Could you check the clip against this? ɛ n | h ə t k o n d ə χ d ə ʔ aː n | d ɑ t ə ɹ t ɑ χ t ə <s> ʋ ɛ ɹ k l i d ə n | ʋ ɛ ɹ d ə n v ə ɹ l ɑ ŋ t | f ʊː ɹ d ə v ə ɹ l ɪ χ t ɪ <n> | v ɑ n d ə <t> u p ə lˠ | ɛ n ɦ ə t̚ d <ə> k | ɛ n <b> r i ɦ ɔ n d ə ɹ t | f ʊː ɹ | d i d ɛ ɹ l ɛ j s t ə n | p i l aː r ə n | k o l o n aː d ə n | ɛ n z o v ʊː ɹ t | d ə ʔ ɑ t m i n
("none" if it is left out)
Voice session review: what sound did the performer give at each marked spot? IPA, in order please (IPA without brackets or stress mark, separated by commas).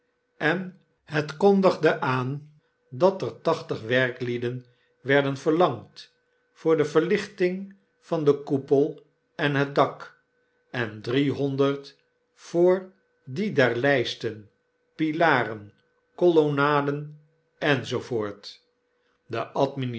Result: χ, ŋ, k, ɑ, d